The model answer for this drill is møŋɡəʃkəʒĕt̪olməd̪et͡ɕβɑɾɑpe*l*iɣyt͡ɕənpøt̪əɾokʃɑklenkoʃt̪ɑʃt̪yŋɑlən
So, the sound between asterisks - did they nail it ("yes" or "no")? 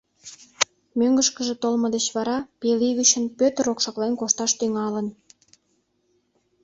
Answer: yes